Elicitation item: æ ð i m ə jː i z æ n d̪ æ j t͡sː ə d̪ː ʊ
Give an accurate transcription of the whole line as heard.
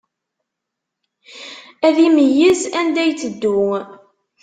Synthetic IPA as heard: æ ð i m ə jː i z æ n d̪ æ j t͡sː ə d̪ː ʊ